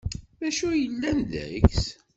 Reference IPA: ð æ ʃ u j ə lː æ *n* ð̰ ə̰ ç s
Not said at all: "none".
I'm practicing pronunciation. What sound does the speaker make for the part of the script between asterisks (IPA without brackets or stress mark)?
n